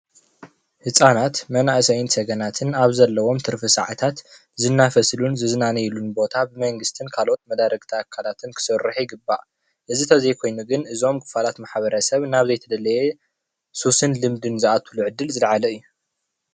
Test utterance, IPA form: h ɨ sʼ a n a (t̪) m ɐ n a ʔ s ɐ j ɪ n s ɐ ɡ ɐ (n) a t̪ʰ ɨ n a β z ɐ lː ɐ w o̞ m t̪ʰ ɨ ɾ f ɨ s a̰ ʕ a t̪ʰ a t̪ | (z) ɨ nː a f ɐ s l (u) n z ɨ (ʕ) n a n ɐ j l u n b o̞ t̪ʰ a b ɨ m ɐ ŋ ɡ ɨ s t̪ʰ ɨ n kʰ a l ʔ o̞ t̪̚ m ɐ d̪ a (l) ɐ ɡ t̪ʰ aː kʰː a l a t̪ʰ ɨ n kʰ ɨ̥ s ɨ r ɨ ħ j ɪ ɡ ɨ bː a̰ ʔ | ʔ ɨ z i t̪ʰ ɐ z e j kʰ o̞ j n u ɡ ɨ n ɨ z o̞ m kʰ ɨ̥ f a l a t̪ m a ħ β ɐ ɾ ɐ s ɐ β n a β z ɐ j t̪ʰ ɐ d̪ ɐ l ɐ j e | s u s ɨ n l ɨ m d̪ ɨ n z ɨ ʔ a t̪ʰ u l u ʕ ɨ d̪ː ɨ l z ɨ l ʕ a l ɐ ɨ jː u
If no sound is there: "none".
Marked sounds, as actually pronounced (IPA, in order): t̪, n, z, u, z, ɾ

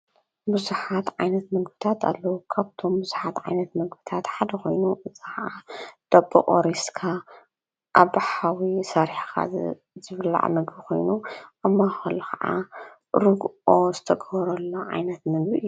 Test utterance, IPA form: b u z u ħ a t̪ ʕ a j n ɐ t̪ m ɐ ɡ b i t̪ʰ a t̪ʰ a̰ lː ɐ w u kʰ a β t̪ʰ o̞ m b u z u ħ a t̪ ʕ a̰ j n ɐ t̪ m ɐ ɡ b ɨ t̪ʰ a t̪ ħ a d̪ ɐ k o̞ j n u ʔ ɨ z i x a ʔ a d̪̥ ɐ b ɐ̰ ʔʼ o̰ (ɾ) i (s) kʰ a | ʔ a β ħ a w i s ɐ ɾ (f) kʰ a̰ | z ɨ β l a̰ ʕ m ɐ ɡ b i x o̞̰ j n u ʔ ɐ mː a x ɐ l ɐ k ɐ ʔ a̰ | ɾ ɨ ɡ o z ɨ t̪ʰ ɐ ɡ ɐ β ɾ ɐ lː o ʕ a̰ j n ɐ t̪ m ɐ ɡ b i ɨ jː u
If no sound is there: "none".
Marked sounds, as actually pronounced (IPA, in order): ɾ, s, ħ

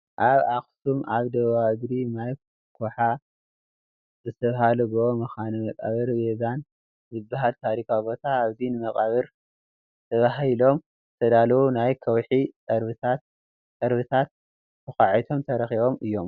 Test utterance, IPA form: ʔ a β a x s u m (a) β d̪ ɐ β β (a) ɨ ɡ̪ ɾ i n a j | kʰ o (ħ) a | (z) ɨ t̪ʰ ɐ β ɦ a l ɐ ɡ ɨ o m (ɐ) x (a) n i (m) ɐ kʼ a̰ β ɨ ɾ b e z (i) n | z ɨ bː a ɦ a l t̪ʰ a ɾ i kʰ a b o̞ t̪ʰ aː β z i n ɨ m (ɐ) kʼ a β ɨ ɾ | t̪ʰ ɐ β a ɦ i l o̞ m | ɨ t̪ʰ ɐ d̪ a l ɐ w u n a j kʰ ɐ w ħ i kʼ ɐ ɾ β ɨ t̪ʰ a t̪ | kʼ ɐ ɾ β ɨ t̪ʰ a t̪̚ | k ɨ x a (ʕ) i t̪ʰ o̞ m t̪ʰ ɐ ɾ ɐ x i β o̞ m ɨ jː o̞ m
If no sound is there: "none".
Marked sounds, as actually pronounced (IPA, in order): a, a, ħ, z, ɐ, a, m, a, ɐ, ʕ

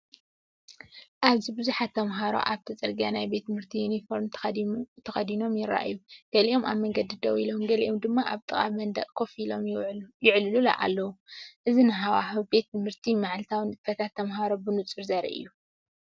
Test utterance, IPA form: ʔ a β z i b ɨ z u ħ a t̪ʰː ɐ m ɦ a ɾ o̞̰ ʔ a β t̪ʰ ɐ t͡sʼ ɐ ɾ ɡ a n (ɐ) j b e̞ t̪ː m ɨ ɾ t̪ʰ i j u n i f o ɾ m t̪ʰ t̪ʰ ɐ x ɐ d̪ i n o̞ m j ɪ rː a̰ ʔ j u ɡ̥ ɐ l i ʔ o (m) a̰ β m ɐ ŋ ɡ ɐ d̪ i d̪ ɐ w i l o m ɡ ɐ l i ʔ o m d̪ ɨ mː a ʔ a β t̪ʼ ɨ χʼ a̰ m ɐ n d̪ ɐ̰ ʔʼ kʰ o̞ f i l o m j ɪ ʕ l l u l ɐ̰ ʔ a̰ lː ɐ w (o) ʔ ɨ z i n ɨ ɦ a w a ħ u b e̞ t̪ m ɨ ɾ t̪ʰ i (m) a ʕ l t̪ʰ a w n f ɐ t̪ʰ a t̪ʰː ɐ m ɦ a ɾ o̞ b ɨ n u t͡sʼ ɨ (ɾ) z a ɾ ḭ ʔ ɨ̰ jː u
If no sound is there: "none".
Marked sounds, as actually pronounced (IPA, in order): a, m, u, m, ɾ

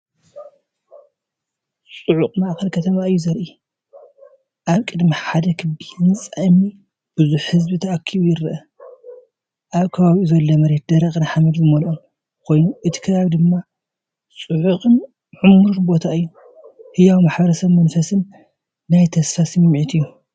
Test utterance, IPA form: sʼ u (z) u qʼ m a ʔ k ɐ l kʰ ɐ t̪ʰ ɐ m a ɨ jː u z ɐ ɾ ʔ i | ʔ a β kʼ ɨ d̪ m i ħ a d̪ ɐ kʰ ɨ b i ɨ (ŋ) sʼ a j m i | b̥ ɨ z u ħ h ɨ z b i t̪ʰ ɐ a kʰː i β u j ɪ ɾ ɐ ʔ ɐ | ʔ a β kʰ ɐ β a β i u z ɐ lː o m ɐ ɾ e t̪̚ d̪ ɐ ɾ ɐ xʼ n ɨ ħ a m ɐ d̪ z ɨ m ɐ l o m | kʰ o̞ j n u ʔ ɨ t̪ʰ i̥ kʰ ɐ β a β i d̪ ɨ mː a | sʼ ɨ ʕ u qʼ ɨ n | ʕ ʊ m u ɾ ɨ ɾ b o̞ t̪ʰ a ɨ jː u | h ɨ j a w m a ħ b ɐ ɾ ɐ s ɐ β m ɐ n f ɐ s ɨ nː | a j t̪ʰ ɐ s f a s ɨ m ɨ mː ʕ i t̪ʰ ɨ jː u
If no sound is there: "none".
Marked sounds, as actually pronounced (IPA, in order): ʕ, n

